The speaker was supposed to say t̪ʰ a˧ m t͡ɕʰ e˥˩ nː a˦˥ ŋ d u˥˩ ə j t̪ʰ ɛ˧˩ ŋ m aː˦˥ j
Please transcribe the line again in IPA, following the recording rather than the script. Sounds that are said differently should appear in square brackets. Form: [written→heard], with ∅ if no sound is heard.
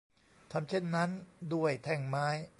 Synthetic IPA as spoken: t̪ʰ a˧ m t͡ɕʰ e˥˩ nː a˦˥ [ŋ→n] d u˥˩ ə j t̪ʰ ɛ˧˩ ŋ m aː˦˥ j

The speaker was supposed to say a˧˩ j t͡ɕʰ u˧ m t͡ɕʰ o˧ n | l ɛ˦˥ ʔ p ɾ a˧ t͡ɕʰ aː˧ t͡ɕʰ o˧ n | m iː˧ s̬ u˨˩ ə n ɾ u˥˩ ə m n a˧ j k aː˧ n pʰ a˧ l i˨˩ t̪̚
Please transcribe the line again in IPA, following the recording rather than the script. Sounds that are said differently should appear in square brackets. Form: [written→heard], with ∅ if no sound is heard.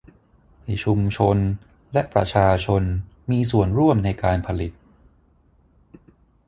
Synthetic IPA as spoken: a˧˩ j t͡ɕʰ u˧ m t͡ɕʰ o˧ n | l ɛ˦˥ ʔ p ɾ a˧ t͡ɕʰ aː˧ t͡ɕʰ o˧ n | m iː˧ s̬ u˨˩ ə n ɾ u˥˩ ə m n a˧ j k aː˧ n pʰ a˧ l i˨˩ t̪̚

